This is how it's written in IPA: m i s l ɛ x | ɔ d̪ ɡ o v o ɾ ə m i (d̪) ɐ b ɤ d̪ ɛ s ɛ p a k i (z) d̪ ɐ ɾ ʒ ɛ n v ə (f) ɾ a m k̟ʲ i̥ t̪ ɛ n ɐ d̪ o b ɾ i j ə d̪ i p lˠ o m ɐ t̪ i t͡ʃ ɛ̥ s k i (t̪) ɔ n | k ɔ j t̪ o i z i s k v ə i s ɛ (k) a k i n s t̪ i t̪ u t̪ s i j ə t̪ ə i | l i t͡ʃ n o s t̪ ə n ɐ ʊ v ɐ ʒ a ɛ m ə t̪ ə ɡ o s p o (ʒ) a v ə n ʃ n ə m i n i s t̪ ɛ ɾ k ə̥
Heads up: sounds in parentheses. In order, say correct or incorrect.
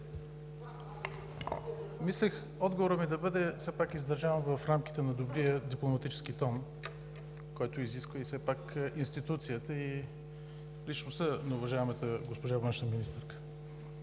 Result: correct, correct, correct, correct, incorrect: p, correct

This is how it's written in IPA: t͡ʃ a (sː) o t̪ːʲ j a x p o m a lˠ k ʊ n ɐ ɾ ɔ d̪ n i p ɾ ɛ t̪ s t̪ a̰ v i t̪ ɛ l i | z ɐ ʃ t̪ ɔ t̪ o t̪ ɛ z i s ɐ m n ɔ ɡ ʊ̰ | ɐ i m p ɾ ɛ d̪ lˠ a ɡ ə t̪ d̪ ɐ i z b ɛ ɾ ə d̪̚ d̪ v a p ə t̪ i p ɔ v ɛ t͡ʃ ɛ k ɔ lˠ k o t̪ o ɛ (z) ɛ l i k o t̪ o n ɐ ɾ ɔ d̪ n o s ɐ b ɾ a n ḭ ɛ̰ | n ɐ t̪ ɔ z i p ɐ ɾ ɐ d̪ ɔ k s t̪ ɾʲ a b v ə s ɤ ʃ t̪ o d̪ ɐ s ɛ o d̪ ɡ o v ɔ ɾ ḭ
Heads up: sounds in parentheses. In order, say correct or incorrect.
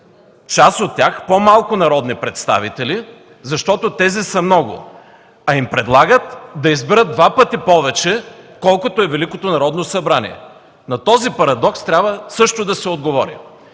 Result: incorrect: s, incorrect: v

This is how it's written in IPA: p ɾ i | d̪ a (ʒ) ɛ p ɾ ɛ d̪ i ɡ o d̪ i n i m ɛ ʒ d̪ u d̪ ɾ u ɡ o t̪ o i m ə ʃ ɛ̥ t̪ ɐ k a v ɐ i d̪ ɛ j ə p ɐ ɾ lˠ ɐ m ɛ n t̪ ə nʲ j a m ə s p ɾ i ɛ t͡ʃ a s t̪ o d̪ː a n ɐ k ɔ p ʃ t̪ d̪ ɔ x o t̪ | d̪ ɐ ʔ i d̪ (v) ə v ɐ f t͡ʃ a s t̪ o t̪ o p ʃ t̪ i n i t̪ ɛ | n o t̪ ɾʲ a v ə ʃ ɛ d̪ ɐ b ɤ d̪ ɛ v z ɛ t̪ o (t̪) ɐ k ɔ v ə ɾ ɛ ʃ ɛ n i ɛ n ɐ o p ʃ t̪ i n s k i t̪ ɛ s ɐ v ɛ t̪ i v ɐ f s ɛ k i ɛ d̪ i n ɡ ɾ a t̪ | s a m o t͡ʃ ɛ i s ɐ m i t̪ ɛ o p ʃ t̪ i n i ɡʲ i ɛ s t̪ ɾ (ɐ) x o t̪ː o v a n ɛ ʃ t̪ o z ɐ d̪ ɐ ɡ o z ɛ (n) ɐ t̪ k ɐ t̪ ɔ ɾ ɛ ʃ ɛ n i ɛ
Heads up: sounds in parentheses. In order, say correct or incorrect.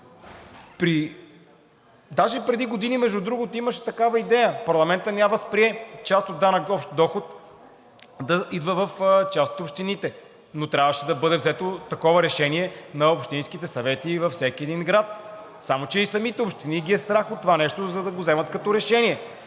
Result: correct, correct, correct, incorrect: a, incorrect: m

